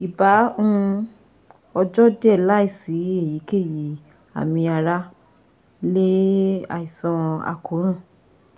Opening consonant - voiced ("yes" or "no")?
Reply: yes